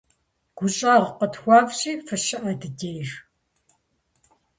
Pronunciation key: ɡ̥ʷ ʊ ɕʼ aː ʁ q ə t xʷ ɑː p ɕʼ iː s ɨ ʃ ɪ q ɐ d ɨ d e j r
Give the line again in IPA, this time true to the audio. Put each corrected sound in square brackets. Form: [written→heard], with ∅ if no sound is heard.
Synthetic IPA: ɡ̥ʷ ʊ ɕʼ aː ʁ q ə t xʷ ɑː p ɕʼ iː [s→f] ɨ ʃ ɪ [q→ʔ] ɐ d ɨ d e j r